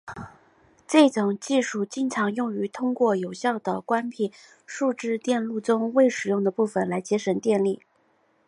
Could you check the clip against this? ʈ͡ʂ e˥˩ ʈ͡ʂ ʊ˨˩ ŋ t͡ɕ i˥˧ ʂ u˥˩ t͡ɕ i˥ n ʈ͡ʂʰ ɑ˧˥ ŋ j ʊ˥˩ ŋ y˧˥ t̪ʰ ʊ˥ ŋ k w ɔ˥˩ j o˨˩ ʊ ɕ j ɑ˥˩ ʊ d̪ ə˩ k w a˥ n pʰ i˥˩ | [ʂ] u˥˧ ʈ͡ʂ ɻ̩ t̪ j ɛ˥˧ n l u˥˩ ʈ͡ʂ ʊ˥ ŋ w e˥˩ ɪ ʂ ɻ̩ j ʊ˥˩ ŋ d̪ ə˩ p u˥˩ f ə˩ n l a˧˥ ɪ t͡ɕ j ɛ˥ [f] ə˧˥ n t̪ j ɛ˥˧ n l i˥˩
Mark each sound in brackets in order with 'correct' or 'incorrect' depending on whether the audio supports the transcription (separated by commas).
correct, incorrect